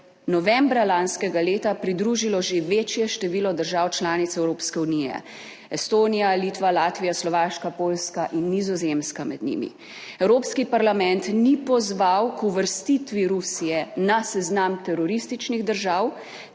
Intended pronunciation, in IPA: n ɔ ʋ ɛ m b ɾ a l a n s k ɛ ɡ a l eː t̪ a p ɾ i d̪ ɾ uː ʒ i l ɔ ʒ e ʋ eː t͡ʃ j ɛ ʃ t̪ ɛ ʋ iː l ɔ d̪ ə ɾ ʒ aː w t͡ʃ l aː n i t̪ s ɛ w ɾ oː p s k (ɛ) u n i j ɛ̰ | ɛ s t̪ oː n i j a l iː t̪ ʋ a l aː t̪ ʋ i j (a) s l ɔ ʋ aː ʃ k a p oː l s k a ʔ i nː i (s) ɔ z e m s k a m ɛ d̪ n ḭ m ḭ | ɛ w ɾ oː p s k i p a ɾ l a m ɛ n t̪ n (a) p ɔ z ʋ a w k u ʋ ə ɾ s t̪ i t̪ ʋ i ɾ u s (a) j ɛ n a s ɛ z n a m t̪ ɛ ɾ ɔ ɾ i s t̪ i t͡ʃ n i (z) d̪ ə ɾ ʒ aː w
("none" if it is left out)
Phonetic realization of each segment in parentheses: ɛ, a, z, i, i, ɣ

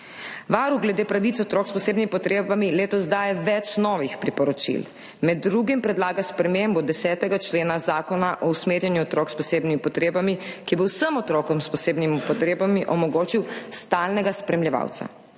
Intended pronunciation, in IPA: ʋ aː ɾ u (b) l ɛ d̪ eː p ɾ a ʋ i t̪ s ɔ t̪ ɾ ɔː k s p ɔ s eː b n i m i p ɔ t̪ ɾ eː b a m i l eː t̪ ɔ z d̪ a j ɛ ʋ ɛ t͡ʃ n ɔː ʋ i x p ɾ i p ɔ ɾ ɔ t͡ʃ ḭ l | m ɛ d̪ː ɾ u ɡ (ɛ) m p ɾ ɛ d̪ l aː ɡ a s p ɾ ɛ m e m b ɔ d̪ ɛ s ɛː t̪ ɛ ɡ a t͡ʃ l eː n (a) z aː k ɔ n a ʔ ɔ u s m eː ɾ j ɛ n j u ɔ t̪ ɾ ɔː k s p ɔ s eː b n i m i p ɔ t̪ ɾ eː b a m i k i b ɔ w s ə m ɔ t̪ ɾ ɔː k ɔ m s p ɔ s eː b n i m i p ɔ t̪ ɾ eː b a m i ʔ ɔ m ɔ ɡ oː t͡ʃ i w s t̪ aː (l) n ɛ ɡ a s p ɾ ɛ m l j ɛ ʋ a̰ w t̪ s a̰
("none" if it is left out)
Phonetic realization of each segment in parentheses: ɡ, i, a, l

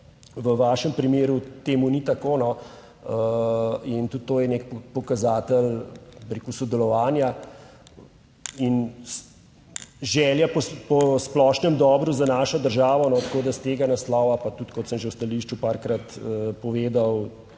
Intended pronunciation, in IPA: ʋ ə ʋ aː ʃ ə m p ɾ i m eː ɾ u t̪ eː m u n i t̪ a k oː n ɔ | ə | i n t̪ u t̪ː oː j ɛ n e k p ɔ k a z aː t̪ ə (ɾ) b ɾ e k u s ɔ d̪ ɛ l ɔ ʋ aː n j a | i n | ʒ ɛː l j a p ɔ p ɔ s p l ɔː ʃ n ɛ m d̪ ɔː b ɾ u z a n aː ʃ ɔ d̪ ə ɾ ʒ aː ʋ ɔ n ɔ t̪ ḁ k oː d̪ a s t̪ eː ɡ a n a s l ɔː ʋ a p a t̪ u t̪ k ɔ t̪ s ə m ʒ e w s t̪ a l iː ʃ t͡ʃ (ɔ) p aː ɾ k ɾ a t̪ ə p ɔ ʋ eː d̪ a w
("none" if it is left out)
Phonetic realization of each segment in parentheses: l, u

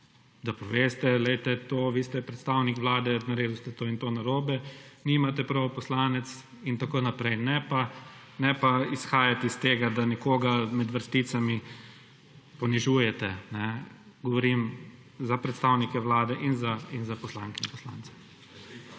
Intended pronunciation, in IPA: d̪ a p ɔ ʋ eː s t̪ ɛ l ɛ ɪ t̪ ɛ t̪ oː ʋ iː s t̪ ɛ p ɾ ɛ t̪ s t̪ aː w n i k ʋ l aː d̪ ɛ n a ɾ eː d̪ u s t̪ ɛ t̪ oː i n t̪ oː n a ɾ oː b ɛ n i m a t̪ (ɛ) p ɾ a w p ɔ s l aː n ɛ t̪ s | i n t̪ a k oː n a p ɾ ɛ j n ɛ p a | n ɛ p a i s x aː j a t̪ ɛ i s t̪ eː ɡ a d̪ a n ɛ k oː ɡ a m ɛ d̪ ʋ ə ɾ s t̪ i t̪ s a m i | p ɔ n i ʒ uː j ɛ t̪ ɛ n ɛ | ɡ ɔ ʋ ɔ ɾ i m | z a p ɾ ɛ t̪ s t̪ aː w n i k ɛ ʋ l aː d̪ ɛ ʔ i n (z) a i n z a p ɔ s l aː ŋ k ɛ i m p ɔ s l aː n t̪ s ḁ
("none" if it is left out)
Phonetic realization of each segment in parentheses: ɛ, z

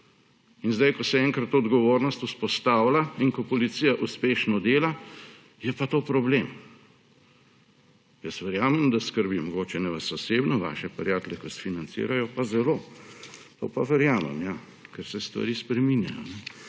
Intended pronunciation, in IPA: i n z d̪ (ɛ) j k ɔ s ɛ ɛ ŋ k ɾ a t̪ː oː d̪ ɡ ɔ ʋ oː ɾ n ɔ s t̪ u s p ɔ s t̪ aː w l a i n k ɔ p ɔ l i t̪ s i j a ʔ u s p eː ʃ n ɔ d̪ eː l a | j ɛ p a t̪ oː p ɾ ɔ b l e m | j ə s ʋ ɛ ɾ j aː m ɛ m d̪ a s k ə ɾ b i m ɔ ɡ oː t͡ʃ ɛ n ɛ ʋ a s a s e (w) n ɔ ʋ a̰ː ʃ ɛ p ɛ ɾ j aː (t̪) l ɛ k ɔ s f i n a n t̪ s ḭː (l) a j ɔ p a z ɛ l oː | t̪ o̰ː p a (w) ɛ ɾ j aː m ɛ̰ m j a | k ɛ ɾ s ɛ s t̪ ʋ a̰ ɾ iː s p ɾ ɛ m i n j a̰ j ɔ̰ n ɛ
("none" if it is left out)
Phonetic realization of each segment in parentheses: a, b, t̪, ɾ, ʋ

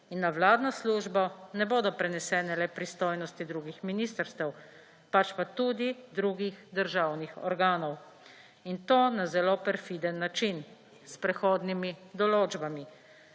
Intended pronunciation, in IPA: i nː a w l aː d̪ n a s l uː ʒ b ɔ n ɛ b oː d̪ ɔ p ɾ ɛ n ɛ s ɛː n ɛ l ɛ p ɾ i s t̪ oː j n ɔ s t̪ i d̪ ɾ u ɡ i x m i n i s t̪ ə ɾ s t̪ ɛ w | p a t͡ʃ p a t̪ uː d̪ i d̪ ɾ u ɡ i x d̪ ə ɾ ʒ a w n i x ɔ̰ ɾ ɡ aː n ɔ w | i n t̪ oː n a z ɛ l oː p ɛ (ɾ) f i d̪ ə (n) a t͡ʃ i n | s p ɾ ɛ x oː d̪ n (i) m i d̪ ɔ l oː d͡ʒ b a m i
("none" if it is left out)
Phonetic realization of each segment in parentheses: ɾ, nː, i

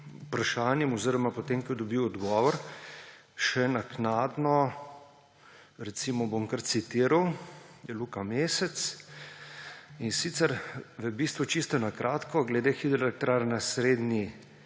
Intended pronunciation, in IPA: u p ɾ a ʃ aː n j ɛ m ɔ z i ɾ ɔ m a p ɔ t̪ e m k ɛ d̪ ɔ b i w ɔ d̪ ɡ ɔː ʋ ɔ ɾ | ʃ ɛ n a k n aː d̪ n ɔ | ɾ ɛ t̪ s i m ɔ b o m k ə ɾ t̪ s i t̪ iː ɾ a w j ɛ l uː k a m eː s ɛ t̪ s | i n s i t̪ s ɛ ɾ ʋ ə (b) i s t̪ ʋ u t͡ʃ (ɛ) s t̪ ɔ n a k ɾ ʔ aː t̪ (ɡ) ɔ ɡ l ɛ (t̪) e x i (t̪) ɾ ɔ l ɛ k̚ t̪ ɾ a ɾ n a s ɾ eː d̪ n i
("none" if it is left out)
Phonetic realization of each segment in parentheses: b, i, k, d̪, d̪

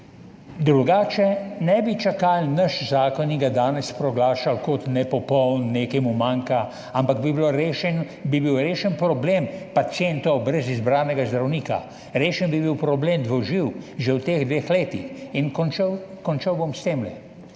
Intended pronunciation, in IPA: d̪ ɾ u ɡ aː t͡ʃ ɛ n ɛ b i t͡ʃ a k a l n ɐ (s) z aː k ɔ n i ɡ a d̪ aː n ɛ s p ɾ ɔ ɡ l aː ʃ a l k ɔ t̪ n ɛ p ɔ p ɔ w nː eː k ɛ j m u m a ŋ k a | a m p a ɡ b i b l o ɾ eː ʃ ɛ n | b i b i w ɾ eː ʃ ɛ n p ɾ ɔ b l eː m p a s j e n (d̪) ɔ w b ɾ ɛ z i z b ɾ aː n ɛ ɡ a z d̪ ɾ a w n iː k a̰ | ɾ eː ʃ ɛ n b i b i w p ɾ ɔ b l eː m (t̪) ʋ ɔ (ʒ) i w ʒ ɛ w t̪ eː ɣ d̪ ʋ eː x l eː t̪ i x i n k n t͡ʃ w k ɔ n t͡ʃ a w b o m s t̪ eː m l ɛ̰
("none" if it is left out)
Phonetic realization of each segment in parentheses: ʃ, t̪, d̪, ʒ

